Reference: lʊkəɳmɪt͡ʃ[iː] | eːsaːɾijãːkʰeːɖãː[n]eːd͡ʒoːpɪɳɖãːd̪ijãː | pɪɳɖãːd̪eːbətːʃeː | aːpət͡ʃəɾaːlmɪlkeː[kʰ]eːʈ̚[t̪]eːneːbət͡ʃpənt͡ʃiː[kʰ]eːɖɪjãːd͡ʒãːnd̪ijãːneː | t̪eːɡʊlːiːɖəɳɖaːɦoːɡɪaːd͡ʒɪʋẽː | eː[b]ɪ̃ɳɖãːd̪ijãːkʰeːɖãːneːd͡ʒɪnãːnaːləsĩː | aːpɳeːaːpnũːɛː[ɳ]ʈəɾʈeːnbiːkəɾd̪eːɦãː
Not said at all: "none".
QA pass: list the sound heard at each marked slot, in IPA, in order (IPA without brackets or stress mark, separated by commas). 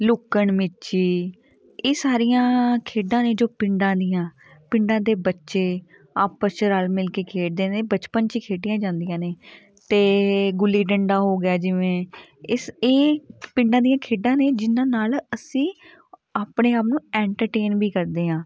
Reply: iː, n, kʰ, d̪, kʰ, p, ɳ